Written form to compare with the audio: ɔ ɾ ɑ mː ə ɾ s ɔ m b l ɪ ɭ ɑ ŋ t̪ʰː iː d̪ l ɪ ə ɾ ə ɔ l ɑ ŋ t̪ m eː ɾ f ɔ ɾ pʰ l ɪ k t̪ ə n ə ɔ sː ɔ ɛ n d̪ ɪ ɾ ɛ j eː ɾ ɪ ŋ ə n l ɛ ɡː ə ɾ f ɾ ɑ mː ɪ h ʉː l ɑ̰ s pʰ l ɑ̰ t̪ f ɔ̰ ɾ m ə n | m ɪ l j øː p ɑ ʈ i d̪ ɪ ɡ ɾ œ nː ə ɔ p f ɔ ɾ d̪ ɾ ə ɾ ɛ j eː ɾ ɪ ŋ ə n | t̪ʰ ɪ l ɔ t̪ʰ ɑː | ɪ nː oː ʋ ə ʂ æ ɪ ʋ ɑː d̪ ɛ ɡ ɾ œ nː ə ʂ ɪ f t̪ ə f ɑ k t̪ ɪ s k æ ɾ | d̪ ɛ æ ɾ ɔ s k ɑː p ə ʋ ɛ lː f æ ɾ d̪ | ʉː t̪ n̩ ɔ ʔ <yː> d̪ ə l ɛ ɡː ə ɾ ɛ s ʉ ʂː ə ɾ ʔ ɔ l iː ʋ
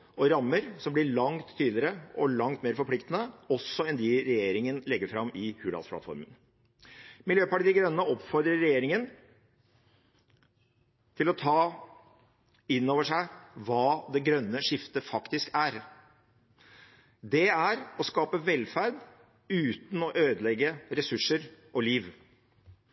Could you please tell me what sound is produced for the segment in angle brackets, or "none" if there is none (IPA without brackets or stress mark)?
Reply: øː